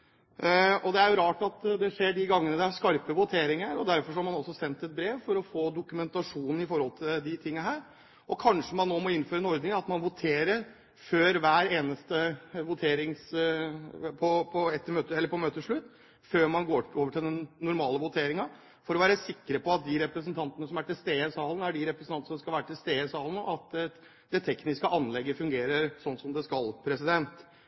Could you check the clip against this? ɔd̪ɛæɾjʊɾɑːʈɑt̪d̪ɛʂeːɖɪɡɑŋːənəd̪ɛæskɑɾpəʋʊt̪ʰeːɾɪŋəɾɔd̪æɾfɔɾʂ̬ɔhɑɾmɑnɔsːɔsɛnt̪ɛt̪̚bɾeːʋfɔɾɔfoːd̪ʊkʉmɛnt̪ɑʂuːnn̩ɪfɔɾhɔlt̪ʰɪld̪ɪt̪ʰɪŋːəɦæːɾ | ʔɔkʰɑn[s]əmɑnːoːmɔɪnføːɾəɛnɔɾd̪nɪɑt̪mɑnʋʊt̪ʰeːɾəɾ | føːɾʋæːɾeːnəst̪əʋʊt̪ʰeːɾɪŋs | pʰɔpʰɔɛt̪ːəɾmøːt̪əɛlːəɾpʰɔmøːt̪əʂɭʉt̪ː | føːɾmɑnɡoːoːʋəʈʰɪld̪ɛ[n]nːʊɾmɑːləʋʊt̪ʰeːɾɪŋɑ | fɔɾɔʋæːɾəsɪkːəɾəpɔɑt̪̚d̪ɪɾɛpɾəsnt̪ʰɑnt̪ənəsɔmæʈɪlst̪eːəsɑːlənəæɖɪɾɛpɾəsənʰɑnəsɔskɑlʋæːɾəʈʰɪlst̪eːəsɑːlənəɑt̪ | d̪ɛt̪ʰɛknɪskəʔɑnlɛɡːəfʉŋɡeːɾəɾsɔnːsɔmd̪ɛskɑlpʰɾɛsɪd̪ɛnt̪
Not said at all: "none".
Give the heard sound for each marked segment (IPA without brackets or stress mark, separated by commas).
ʂ, n